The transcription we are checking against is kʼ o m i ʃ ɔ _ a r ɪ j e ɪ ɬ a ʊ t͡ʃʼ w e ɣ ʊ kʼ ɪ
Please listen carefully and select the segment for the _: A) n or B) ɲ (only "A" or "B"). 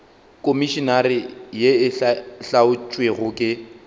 A